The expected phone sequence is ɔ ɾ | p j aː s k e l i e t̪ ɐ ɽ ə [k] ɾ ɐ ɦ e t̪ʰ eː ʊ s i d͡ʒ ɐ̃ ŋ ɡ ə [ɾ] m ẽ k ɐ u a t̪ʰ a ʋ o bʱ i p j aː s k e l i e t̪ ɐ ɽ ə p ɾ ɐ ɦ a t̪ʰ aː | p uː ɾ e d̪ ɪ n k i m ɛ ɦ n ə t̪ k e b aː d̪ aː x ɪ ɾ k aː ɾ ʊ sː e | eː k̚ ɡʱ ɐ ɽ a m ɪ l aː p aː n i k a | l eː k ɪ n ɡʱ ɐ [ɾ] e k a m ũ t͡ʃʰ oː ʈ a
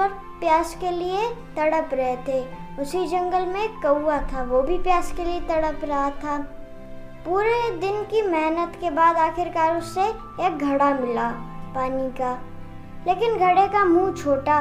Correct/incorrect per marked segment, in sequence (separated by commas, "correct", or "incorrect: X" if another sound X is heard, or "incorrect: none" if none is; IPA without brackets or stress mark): incorrect: p, incorrect: l, incorrect: ɽ